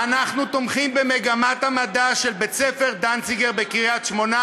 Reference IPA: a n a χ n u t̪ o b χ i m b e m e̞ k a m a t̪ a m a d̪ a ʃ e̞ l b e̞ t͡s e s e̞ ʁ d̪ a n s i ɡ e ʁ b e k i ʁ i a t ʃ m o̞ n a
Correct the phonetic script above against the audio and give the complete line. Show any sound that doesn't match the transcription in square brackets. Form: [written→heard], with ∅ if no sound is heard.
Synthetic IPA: a n a χ n u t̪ o [b→m] χ i m b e m e̞ [k→ɡ] a m a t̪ a m a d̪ a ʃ e̞ l b e̞ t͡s e [s→f] e̞ ʁ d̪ a n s i ɡ e ʁ b e k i ʁ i a t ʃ m o̞ n a